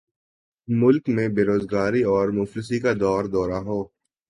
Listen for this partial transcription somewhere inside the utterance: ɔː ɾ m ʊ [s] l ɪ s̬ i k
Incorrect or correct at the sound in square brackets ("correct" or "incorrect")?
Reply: incorrect